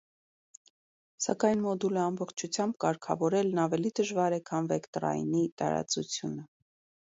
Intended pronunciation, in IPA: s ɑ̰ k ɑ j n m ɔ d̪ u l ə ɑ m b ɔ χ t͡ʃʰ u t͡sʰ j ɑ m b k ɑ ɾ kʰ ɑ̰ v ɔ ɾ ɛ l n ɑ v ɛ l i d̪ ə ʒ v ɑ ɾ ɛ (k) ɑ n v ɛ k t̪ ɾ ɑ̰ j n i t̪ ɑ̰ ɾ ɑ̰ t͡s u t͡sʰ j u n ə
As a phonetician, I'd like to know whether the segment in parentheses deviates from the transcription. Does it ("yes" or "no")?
yes